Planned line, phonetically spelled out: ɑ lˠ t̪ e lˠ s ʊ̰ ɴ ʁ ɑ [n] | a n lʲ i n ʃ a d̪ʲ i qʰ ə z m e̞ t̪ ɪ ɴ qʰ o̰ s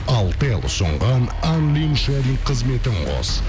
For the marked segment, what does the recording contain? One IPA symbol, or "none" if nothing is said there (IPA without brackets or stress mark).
n